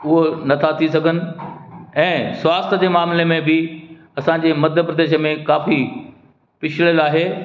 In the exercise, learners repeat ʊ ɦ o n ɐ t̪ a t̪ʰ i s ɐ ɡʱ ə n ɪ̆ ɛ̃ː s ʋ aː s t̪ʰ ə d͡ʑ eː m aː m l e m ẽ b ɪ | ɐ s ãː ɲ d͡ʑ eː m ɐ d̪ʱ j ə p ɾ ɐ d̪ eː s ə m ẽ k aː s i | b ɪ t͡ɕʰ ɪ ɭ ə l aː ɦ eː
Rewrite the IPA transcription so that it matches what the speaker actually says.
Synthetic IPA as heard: ʊ ɦ o n ɐ t̪ʰ a t̪ʰ i s ɐ ɡʱ ə n ɪ̆ ɛ̃ː s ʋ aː s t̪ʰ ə d͡ʑ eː m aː m l e m ẽ b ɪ | ɐ s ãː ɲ d͡ʑ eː m ɐ d̪ʱ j ə p ɾ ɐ d̪ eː ʃ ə m ẽ k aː f i | p ɪ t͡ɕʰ ɪ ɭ ə l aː ɦ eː